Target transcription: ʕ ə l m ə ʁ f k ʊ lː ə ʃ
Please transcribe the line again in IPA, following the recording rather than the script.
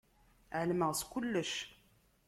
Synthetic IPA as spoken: ʕ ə l m ə ʁ s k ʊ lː ə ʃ